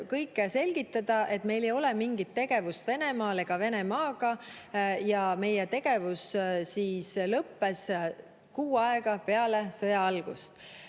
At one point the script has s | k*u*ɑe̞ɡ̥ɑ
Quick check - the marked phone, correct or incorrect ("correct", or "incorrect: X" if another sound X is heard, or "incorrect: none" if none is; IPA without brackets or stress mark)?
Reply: incorrect: uː